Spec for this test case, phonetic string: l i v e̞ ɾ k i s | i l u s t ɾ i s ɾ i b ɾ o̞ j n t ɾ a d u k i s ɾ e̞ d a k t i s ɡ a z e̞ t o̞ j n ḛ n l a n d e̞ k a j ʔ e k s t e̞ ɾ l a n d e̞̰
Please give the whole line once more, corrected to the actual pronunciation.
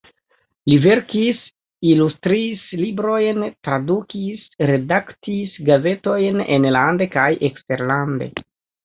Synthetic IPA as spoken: l i v e̞ ɾ k i s | i l u s t ɾ i s l i b ɾ o̞ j n t ɾ a d u k i s ɾ e̞ d a k t i s ɡ a z e̞ t o̞ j n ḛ n l a n d e̞ k a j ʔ e k s t e̞ ɾ l a n d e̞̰

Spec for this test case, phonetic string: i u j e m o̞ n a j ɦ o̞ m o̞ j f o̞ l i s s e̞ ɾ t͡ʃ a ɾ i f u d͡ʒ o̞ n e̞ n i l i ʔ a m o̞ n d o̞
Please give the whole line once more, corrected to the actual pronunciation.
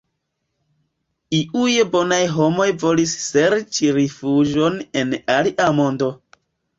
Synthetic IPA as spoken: i u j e b o̞ n a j ɦ o̞ m o̞ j v o̞ l i s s e̞ ɾ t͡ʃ i ɾ i f u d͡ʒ o̞ n e̞ n a l i ʔ a m o̞ n d o̞

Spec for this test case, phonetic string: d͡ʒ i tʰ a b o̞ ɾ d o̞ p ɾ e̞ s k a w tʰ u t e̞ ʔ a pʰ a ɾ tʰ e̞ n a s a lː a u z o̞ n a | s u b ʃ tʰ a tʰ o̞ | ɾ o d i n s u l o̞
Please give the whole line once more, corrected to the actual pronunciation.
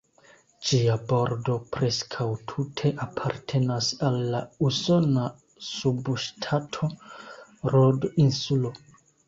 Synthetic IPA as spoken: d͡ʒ i a b o̞ ɾ d o̞ p ɾ e̞ s kʰ a w tʰ u tʰ e̞ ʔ a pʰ a ɾ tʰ e̞ n a s a lː a u s o̞ n a | s u b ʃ tʰ a tʰ o̞ | ɾ o d i n s u l o̞

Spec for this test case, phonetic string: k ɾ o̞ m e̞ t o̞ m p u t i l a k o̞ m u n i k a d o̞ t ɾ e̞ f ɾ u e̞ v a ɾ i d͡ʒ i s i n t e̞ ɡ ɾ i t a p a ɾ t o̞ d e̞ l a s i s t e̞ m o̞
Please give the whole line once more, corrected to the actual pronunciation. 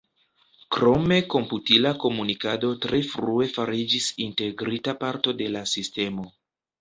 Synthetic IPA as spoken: k ɾ o̞ m e̞ k o̞ m p u t i l a k o̞ m u n i k a d o̞ t ɾ e̞ f ɾ u e̞ f a ɾ i d͡ʒ i s i n t e̞ ɡ ɾ i t a p a ɾ t o̞ d e̞ l a s i s t e̞ m o̞

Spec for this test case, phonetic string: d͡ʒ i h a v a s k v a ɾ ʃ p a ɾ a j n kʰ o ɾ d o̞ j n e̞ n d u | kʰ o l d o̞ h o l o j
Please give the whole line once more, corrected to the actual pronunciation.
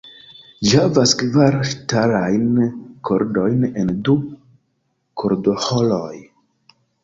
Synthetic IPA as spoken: d͡ʒ i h a v a s k v a ɾ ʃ t a ɾ a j n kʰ o ɾ d o̞ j n e̞ n d u | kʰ o ɾ d o̞ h o l o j

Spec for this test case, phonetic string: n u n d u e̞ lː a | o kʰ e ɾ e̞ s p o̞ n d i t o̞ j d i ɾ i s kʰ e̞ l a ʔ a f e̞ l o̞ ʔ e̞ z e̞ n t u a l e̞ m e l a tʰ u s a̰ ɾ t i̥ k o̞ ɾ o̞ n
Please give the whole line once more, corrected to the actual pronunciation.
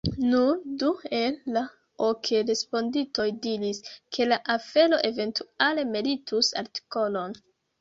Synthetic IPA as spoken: n u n d u e̞ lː a | o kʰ e ɾ e̞ s p o̞ n d i t o̞ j d i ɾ i s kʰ e̞ l a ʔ a f e̞ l o̞ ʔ e̞ v e̞ n t u a l e̞ m e l i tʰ u s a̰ ɾ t i̥ k o̞ l o̞ n

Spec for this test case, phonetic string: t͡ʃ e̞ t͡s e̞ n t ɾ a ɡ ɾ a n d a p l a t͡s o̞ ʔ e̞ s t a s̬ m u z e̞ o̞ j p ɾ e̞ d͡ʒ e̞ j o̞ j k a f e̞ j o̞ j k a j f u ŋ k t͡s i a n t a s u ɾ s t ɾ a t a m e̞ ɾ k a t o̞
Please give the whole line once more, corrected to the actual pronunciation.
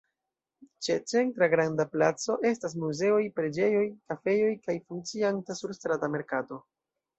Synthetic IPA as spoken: t͡ʃ e̞ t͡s e̞ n t ɾ a ɡ ɾ a n d a p l a t͡s o̞ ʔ e̞ s t a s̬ m u z e̞ o̞ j p ɾ e̞ d͡ʒ e̞ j o̞ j k a f e̞ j o̞ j k a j f u ŋ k t͡s i a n t a s u ɾ s t ɾ a t a m e̞ ɾ k a t o̞

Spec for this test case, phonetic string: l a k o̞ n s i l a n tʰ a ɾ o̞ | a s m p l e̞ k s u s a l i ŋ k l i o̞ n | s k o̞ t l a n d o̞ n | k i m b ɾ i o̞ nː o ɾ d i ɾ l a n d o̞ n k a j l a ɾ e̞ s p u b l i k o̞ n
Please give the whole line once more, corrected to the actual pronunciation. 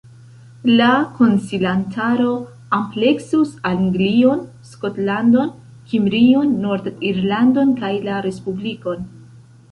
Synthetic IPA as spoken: l a k o̞ n s i l a n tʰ a ɾ o̞ | a m p l e̞ k s u s a l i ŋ ɡ l i o̞ n | s k o̞ t l a n d o̞ n | k i m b ɾ i o̞ nː o ɾ d i ɾ l a n d o̞ n k a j l a ɾ e̞ s p u b l i k o̞ n

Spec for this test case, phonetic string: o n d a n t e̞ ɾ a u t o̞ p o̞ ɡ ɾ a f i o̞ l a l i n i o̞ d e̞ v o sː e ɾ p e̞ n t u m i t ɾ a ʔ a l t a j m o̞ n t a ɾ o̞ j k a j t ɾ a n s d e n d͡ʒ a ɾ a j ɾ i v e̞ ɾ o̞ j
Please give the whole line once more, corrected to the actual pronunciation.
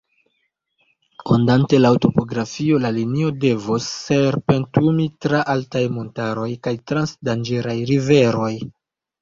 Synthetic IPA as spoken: o n d a n t e̞ l a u t o̞ p o̞ ɡ ɾ a f i o̞ l a l i n i o̞ d e̞ v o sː e ɾ p e̞ n t u m i t ɾ a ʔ a l t a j m o̞ n t a ɾ o̞ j k a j t ɾ a n s d a n d͡ʒ e ɾ a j ɾ i v e̞ ɾ o̞ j

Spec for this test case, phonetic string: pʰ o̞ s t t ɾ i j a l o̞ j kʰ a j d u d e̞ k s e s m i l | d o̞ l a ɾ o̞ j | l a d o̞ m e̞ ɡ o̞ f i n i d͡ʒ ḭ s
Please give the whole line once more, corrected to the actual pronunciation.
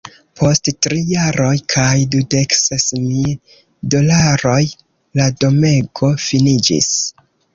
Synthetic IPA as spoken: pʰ o̞ s t t ɾ i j a ɾ o̞ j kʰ a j d u d e̞ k s e s m i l | d o̞ l a ɾ o̞ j | l a d o̞ m e̞ ɡ o̞ f i n i d͡ʒ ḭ s

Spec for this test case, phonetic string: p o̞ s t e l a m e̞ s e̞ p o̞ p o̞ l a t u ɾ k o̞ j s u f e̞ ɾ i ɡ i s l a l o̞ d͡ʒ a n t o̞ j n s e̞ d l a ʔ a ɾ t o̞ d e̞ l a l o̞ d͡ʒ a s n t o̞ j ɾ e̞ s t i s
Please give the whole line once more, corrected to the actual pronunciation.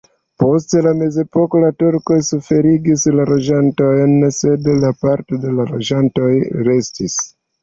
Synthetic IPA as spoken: p o̞ s t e l a m e̞ z e̞ p o̞ k o̞ l a t u ɾ k o̞ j s u f e̞ ɾ i ɡ i s l a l o̞ d͡ʒ a n t o̞ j n s e̞ d l a p a ɾ t o̞ d e̞ l a l o̞ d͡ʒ a n t o̞ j ɾ e̞ s t i s

